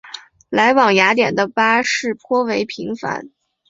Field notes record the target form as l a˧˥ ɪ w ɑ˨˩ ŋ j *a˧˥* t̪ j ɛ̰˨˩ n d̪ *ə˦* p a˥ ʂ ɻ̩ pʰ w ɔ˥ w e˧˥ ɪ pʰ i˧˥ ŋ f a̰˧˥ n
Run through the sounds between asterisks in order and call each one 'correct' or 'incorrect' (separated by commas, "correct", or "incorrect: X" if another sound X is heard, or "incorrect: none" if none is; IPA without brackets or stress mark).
correct, correct